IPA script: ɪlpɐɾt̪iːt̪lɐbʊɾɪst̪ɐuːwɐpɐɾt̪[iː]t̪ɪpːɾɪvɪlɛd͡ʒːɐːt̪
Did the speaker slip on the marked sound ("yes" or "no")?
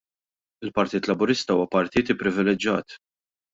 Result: no